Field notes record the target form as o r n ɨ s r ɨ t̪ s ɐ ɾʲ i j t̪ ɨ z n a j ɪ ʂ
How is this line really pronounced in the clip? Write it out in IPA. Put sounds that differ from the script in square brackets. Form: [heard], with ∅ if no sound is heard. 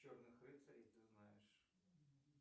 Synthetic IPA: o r n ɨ [x] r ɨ t̪ s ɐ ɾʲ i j t̪ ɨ z n a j ɪ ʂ